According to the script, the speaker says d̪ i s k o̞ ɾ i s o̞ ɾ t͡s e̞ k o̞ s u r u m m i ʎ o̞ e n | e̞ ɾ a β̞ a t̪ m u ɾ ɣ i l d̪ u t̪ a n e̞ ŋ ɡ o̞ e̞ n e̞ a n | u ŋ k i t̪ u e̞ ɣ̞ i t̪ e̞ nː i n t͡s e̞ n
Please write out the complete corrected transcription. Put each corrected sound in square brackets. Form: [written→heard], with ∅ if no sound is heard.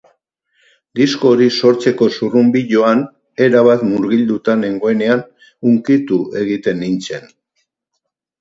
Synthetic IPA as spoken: d̪ i s k o̞ ɾ i s o̞ ɾ t͡s e̞ k o̞ s u r u m [m→b] i ʎ o̞ [e→a] n | e̞ ɾ a β̞ a t̪ m u ɾ ɣ i l d̪ u t̪ a n e̞ ŋ ɡ o̞ e̞ n e̞ a n | u ŋ k i t̪ u e̞ ɣ̞ i t̪ e̞ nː i n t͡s e̞ n